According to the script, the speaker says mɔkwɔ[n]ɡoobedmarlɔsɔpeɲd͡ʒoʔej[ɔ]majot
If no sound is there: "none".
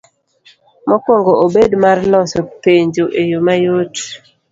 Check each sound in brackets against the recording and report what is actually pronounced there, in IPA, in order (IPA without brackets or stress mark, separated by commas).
ŋ, o